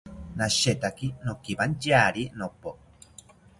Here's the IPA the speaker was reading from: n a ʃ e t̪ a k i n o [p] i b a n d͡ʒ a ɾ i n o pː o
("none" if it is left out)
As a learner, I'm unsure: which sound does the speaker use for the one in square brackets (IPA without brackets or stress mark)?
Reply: k